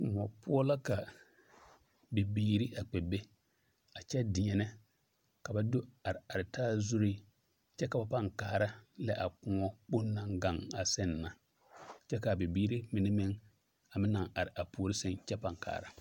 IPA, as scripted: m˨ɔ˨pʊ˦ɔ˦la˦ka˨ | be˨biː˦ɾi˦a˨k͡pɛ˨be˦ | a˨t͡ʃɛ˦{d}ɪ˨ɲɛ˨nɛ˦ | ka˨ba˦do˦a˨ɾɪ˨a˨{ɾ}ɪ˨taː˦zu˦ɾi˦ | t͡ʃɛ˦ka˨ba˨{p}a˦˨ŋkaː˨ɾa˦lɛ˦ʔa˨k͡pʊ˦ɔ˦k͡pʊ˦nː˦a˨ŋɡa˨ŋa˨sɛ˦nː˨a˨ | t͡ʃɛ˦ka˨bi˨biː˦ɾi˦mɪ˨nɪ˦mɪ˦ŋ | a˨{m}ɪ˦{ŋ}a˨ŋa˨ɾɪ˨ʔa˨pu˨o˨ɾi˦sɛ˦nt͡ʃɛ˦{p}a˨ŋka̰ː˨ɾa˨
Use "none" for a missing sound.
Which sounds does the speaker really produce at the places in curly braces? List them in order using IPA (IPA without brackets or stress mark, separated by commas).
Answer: d, ɾ, p, m, n, p